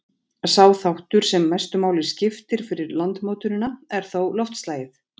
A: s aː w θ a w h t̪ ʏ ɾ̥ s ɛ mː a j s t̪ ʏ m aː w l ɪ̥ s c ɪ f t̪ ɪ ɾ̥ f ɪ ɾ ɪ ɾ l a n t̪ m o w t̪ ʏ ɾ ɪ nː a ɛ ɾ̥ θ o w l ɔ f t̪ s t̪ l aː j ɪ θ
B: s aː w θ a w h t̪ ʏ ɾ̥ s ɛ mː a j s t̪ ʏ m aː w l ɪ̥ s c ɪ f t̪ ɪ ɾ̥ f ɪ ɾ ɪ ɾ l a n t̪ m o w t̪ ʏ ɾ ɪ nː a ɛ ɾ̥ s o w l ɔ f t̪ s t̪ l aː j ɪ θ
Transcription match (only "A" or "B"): A